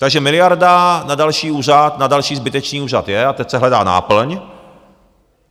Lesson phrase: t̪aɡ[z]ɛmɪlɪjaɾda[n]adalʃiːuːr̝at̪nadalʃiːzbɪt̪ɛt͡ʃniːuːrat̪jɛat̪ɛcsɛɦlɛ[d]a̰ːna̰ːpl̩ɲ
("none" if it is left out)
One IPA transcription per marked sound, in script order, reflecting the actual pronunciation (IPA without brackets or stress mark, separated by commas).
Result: ʒ, n, d